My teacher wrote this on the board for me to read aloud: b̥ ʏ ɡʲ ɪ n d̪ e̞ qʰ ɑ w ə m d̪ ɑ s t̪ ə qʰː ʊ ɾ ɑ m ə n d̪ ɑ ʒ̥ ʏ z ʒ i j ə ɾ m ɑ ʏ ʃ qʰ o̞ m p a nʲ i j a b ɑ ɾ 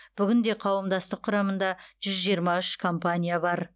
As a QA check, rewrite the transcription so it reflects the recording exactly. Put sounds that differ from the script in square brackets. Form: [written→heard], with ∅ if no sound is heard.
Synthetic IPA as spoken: b̥ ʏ ɡʲ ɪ n d̪ e̞ qʰ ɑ w ə m d̪ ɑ s t̪ ə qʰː ʊ ɾ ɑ m ə n d̪ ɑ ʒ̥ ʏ z ʒ i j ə ɾ m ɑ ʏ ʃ [qʰ→kʰ] o̞ m p a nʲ i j a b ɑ ɾ

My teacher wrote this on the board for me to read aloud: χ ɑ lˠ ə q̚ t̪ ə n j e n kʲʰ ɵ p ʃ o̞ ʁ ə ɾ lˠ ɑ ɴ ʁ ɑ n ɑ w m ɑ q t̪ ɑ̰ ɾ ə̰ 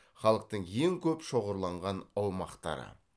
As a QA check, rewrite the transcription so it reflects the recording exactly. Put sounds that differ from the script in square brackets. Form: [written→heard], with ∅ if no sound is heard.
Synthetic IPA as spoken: χ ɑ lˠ ə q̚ t̪ ə [n→ɴ] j e [n→ŋ] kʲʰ ɵ p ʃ o̞ ʁ ə ɾ lˠ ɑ ɴ ʁ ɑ n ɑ w m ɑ q t̪ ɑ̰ ɾ ə̰

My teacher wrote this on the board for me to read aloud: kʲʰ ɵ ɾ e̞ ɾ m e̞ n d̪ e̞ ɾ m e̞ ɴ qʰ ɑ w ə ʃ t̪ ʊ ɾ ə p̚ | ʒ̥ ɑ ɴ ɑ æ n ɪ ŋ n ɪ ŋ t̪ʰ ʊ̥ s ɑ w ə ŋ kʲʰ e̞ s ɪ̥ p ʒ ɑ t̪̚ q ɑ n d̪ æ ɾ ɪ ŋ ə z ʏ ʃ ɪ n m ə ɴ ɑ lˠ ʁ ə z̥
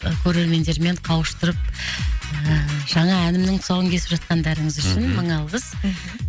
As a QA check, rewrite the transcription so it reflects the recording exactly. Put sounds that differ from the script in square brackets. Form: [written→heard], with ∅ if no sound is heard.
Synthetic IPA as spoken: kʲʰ ɵ ɾ e̞ ɾ m e̞ n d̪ e̞ ɾ m e̞ ɴ qʰ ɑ w ə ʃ t̪ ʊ ɾ ə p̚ | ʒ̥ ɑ ɴ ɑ æ n ɪ [ŋ→m] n ɪ ŋ t̪ʰ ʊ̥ s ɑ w ə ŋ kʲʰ e̞ s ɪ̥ p ʒ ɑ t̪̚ q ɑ n d̪ æ ɾ ɪ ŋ ə z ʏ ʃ ɪ n m ə ɴ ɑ lˠ ʁ ə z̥

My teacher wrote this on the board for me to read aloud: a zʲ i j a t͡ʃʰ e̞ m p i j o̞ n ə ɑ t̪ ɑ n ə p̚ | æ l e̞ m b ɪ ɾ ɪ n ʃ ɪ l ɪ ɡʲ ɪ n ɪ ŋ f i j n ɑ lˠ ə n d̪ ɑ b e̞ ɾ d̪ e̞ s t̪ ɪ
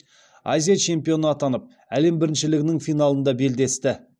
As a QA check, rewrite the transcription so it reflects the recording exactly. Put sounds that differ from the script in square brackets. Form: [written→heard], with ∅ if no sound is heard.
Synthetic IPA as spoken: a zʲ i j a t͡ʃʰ e̞ m p i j o̞ n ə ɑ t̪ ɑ n ə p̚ | æ l e̞ m b ɪ ɾ ɪ n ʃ ɪ l ɪ ɡʲ ɪ n ɪ ŋ f i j n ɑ lˠ ə n d̪ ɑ b e̞ [ɾ→l] d̪ e̞ s t̪ ɪ

